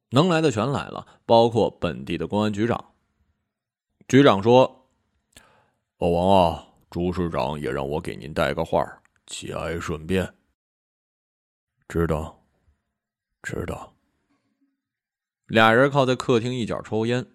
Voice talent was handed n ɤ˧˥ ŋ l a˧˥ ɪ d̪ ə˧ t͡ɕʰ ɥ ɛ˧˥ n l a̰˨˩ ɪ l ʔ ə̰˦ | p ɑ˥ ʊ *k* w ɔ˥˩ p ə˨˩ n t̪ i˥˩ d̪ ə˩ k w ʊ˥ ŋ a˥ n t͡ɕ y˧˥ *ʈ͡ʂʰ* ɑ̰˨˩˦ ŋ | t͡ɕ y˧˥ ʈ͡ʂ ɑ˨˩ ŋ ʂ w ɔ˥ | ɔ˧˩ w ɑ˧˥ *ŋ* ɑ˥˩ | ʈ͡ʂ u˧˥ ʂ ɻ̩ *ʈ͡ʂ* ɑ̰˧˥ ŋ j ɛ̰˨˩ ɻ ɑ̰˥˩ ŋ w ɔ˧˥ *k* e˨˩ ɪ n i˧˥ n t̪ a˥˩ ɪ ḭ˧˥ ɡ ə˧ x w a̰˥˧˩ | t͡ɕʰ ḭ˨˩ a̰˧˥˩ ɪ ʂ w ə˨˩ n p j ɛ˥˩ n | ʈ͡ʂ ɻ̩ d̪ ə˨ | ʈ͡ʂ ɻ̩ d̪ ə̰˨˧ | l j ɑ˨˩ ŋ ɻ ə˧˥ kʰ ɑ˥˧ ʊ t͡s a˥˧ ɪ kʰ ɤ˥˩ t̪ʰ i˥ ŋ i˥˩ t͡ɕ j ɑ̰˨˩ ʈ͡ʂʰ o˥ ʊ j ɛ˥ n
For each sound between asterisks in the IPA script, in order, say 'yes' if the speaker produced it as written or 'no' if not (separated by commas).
no, no, yes, yes, yes